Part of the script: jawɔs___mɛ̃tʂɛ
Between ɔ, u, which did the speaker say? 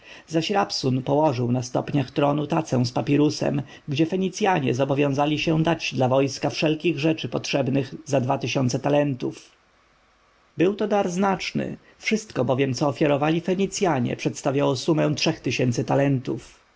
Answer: u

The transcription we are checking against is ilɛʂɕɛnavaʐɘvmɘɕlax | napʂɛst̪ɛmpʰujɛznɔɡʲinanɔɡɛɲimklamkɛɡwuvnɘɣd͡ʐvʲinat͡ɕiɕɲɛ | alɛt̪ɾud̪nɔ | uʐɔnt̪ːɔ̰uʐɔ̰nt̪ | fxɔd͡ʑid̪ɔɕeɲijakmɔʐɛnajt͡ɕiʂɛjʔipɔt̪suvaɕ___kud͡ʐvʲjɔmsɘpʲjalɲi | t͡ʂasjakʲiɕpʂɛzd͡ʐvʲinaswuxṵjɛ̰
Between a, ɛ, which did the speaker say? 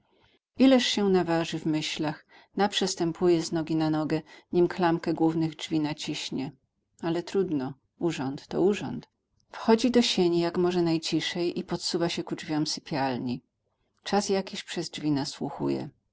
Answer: ɛ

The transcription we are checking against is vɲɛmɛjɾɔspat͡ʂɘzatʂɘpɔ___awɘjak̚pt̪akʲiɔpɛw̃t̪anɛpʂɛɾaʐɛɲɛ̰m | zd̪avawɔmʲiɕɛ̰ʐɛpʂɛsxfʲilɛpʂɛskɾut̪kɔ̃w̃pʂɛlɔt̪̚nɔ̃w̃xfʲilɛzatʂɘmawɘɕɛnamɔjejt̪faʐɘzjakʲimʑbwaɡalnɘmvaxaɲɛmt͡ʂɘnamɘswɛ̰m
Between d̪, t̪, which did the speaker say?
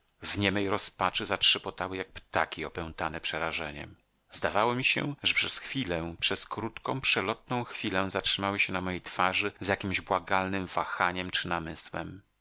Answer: t̪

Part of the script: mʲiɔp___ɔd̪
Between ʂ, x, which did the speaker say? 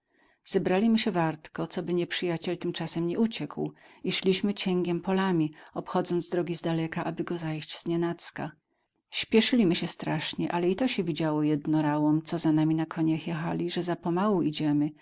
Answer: x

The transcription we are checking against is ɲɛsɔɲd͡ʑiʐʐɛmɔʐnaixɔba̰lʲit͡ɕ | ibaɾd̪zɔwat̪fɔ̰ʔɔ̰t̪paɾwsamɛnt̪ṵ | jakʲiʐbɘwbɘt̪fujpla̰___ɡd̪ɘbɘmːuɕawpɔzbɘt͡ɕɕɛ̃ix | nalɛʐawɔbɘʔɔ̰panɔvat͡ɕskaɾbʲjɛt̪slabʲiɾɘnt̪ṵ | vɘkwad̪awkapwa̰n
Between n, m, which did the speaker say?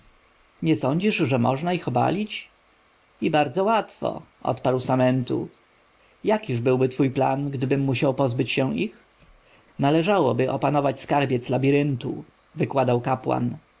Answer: n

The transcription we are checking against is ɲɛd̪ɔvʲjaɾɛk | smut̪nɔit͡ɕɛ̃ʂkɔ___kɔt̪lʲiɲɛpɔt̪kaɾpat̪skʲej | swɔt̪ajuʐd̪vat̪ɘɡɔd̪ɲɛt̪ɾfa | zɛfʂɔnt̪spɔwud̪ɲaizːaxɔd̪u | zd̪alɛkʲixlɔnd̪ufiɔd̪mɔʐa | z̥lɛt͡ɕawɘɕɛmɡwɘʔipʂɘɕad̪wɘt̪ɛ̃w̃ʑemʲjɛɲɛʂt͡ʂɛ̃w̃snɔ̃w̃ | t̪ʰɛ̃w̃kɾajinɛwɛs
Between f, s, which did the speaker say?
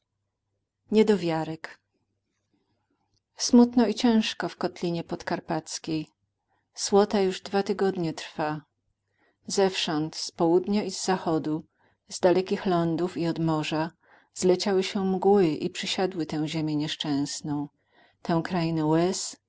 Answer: f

